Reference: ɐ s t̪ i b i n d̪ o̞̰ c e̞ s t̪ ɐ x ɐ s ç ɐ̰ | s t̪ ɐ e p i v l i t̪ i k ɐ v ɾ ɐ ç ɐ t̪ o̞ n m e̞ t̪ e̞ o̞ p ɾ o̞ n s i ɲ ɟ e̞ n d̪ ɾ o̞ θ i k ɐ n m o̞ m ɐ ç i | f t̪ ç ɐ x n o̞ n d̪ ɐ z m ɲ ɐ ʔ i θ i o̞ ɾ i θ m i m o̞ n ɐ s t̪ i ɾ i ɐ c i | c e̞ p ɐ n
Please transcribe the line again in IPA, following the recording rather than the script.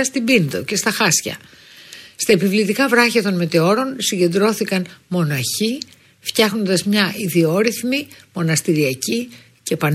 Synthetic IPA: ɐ s t̪ i b i n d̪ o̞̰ c e̞ s t̪ ɐ x ɐ s ç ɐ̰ | s t̪ ɐ e p i v l i t̪ i k ɐ v ɾ ɐ ç ɐ t̪ o̞ n m e̞ t̪ e̞ o̞ ɾ o̞ n s i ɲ ɟ e̞ n d̪ ɾ o̞ θ i k ɐ n m o̞ n ɐ ç i | f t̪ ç ɐ x n o̞ n d̪ ɐ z m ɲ ɐ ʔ i ð i o̞ ɾ i θ m i m o̞ n ɐ s t̪ i ɾ i ɐ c i | c e̞ p ɐ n